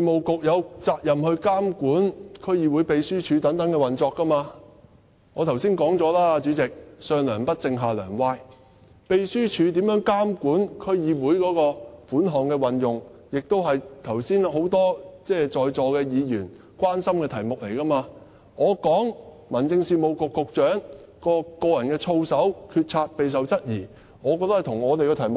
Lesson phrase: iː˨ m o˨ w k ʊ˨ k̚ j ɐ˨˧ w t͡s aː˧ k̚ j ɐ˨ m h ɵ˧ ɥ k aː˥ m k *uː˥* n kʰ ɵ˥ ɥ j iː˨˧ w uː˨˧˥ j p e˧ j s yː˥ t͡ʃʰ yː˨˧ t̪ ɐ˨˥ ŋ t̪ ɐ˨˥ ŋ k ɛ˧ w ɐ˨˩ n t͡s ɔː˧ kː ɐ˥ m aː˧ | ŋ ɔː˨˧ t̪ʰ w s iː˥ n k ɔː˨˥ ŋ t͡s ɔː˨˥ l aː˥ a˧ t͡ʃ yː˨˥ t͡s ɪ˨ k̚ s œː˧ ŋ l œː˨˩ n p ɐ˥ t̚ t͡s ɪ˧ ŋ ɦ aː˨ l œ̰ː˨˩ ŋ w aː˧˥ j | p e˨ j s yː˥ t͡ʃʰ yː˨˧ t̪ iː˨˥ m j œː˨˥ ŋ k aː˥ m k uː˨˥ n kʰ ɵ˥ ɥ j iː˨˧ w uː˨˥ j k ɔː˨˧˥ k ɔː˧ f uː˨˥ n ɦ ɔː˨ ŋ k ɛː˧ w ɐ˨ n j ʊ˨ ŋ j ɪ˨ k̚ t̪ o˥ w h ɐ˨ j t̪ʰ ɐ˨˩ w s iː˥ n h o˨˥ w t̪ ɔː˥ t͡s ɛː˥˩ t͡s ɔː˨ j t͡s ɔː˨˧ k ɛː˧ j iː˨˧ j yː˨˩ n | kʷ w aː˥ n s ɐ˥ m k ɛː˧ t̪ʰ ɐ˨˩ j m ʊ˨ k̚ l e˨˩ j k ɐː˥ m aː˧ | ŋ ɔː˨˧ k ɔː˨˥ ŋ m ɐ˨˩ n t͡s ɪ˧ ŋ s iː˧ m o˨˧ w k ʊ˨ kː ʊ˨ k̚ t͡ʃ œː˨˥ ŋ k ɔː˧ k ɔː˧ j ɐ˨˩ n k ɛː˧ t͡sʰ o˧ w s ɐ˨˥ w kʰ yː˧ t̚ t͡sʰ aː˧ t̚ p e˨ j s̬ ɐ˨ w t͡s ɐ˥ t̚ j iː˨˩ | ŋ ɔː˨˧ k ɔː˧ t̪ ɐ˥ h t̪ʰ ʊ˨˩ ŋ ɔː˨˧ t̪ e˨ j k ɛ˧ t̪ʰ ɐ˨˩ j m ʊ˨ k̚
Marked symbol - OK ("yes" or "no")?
no